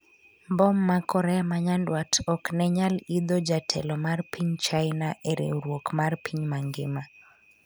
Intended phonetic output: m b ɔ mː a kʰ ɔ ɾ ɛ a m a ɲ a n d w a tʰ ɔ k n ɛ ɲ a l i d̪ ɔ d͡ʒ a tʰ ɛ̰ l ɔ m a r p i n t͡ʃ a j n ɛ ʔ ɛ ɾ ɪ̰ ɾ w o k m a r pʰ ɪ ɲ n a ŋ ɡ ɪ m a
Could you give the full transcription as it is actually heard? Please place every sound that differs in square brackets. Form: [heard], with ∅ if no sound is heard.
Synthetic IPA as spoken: m b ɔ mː a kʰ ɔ ɾ ɛ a m a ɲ a n d w a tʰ ɔ k n ɛ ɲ a l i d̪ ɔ d͡ʒ a tʰ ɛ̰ l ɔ m a r p i [ɲ] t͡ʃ a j n [a] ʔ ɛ ɾ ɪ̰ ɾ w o k m a r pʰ [i] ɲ [m] a ŋ ɡ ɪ m a